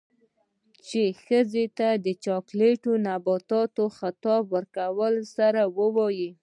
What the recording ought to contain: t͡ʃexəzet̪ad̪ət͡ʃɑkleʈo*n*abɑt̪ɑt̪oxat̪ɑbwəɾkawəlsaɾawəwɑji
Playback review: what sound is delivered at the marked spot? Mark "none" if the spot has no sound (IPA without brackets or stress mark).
n